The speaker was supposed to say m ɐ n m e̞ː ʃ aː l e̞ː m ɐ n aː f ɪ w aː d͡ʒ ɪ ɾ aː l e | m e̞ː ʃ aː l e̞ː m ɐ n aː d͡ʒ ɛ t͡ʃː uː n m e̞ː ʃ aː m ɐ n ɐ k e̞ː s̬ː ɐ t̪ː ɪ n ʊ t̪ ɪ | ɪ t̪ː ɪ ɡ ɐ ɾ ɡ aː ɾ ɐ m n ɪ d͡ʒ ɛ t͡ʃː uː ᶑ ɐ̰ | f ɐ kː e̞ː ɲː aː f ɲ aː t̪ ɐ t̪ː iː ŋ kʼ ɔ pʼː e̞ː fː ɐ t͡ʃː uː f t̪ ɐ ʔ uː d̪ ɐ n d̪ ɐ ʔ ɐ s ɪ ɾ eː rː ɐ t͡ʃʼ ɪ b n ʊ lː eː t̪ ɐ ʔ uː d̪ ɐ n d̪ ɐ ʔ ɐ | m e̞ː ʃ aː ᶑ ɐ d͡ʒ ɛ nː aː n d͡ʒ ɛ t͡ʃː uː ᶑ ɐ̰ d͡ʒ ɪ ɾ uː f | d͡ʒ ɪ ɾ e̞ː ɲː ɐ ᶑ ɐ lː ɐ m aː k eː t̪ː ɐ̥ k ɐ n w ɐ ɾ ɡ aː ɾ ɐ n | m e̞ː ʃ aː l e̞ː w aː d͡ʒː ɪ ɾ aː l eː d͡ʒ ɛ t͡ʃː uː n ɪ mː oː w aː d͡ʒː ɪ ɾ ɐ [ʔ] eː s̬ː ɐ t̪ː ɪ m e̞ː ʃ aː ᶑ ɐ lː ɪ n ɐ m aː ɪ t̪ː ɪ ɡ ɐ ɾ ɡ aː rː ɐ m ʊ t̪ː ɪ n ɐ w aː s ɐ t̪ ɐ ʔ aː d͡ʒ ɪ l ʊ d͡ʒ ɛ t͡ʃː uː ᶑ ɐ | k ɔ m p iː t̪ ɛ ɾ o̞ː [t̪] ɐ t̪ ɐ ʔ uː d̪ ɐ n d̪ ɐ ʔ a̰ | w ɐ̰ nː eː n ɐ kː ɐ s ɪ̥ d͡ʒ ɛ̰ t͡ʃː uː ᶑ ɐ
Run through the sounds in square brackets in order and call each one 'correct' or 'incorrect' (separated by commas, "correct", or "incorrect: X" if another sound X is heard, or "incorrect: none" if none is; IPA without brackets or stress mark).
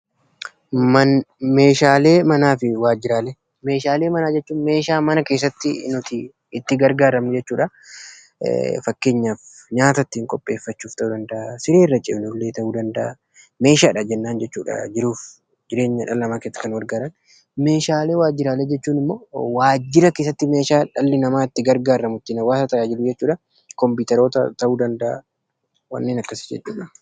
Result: incorrect: k, correct